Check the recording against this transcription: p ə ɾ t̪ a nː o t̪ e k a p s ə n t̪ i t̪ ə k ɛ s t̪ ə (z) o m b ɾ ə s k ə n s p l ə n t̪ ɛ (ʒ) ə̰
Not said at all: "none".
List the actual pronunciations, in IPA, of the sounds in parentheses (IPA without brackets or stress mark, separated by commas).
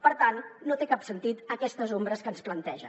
z, ʒ